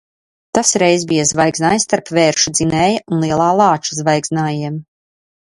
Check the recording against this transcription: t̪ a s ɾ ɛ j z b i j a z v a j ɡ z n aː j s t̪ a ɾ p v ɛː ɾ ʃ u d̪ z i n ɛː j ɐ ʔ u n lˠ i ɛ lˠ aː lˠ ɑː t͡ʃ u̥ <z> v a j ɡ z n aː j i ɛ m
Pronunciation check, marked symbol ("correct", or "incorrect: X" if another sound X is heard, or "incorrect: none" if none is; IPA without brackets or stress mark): correct